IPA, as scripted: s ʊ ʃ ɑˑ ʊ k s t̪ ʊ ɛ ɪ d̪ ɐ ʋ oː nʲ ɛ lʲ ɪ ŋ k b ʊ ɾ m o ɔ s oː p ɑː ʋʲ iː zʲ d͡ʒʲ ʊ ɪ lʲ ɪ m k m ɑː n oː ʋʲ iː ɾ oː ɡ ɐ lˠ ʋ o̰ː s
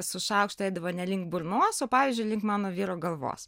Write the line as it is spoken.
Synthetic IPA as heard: s ʊ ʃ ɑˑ ʊ k ʃ t̪ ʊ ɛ ɪ d̪ ɐ ʋ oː nʲ ɛ lʲ ɪ ŋ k b ʊ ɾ n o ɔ s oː p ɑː ʋʲ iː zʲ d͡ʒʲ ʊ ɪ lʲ ɪ ŋ k m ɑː n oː ʋʲ iː ɾ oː ɡ ɐ lˠ ʋ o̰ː s